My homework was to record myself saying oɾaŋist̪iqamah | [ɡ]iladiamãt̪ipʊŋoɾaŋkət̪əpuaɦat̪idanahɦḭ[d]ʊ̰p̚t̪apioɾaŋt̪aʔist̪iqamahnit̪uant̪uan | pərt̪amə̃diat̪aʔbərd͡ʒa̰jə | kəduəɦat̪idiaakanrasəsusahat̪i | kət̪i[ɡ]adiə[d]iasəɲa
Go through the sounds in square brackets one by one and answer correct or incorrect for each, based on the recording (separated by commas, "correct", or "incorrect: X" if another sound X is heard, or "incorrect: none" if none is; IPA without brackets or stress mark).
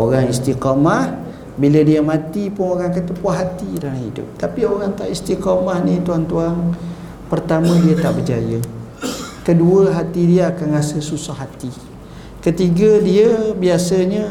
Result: incorrect: b, correct, correct, incorrect: b